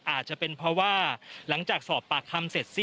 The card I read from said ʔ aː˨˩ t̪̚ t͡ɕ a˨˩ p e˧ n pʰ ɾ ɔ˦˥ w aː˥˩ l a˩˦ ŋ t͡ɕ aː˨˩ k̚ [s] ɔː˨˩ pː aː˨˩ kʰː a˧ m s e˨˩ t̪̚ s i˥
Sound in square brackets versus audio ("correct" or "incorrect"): correct